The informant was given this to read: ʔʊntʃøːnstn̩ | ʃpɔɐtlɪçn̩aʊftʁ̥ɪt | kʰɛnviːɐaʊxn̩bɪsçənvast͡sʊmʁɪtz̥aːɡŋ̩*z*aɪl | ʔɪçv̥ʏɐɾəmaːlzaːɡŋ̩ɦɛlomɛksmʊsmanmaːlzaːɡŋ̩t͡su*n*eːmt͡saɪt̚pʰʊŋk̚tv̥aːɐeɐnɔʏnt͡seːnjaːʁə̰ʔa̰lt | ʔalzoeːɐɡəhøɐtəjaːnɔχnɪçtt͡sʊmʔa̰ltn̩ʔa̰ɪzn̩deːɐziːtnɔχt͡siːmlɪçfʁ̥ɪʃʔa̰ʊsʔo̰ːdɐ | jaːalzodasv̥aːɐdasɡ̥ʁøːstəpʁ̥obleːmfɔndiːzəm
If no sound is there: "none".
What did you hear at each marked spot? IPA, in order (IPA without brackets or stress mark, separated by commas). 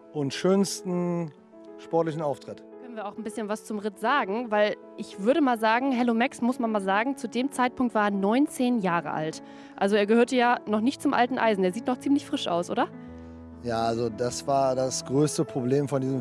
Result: v, d